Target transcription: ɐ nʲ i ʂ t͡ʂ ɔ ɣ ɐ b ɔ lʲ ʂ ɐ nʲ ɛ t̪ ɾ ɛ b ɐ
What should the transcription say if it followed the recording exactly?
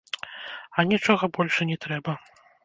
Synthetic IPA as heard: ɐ nʲ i t͡ʂ ɔ ɣ ɐ b ɔ lʲ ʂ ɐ nʲ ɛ t̪ ɾ ɛ b ɐ